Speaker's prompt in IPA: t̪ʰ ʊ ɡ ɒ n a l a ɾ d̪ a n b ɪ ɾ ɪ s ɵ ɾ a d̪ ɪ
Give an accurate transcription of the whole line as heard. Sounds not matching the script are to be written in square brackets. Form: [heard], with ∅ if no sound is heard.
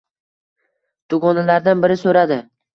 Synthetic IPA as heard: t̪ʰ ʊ ɡ ɒ n a l a ɾ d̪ a n b ɪ ɾ ɪ s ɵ ɾ a d̪ ɪ